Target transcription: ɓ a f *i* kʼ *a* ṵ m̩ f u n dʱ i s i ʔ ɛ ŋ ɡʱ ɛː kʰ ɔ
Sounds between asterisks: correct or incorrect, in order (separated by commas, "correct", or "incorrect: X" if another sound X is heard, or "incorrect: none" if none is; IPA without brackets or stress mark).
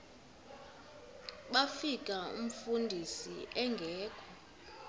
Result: correct, correct